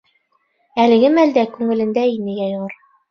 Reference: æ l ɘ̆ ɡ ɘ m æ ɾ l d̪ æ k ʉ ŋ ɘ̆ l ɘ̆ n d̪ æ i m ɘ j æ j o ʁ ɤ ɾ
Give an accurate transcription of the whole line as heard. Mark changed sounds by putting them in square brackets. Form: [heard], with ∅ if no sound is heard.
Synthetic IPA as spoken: æ l ɘ̆ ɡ ɘ m æ [∅] l d̪ æ k ʉ ŋ ɘ̆ l ɘ̆ n d̪ æ i [n] ɘ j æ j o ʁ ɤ ɾ